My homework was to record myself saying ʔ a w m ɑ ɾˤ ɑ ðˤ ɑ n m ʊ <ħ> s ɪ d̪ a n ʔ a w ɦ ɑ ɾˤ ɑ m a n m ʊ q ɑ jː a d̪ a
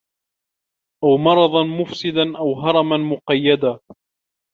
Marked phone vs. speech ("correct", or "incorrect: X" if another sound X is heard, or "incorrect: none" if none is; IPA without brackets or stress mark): incorrect: f